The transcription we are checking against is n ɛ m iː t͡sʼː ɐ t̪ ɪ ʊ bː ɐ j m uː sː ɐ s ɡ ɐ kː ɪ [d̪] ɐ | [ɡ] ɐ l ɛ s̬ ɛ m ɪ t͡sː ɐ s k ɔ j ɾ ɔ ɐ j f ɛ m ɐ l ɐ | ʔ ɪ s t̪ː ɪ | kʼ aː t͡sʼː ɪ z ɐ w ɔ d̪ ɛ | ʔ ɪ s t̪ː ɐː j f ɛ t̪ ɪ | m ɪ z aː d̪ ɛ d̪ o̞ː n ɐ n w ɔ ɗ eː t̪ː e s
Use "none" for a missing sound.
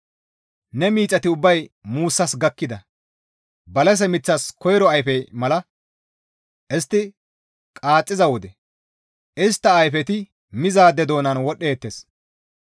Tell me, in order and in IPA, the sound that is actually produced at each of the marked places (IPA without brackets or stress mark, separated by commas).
d̪, b